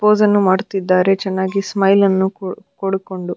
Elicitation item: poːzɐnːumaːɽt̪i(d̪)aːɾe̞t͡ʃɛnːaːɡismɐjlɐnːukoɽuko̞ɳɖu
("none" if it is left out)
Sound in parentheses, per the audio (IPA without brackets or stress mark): d̪ː